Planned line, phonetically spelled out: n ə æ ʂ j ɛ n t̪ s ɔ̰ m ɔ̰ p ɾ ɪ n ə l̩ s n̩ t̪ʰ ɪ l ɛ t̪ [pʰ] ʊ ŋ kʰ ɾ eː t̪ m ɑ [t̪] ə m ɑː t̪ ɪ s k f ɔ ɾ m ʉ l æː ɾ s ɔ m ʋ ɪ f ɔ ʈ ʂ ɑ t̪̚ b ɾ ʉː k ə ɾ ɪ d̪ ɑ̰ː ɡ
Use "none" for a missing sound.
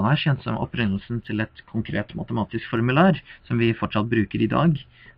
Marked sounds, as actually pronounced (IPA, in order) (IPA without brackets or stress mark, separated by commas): kʰ, t̪